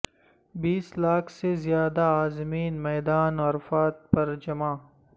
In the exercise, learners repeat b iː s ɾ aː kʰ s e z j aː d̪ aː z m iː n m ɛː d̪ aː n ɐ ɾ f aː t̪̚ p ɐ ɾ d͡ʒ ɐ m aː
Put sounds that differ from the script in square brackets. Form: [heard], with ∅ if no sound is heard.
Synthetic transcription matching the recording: b iː s [l] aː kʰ s e z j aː d̪ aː z m iː n m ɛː d̪ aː n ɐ ɾ f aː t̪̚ p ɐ ɾ d͡ʒ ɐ m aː